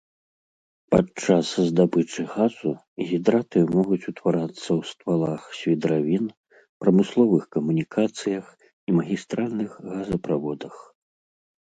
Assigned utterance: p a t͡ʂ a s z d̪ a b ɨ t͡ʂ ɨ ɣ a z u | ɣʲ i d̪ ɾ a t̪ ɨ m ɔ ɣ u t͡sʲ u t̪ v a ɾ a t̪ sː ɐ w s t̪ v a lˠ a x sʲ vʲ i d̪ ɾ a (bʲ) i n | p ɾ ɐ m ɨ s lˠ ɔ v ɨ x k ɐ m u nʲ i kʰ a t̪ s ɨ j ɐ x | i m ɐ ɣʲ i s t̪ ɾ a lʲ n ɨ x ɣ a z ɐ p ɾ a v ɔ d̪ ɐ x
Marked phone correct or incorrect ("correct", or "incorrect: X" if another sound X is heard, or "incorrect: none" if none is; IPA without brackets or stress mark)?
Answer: incorrect: vʲ